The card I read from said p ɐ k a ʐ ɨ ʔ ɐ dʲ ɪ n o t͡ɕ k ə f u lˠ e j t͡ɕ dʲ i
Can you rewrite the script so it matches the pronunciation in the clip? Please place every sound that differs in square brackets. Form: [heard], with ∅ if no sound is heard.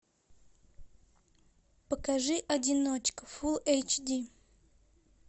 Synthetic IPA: p [ə] k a ʐ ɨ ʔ ɐ dʲ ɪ n o t͡ɕ k ə f u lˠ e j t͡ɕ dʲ i